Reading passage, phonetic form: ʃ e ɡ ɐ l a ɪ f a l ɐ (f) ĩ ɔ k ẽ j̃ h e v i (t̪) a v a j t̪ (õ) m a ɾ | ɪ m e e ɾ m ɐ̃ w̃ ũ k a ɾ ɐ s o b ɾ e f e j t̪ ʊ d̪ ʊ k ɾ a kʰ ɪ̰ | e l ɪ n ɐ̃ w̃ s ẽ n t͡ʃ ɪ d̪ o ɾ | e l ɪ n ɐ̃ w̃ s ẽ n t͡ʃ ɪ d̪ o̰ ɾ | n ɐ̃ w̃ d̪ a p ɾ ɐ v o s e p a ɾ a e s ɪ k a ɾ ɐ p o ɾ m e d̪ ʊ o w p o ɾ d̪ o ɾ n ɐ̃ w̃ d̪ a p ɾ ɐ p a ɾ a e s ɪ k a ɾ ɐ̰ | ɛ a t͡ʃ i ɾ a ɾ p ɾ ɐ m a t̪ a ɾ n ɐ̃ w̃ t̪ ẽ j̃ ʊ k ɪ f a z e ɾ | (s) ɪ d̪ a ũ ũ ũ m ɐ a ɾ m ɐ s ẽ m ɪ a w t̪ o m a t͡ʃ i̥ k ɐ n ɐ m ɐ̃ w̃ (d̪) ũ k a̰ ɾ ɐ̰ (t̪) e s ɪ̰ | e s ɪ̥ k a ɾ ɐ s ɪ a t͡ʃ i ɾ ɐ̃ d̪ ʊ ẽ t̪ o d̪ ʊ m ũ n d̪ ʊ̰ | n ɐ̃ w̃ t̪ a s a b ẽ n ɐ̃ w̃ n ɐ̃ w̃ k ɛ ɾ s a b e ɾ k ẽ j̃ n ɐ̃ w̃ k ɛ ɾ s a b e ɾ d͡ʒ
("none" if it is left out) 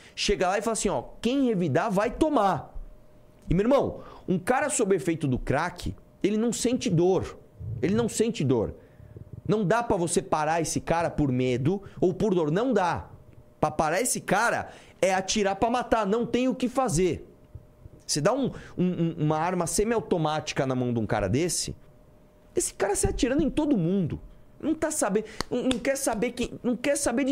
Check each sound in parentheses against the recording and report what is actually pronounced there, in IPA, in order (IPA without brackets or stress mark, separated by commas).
s, d̪, o, s, d̪, d̪